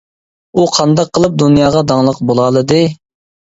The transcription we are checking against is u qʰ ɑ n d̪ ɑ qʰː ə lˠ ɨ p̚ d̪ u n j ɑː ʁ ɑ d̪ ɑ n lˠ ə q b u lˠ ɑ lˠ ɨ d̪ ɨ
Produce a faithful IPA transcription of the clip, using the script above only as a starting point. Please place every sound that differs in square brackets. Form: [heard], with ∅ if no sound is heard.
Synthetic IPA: u qʰ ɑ n d̪ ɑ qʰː ə lˠ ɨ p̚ d̪ u n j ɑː ʁ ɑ d̪ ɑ [ŋ] lˠ ə q b [o] lˠ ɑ lˠ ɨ d̪ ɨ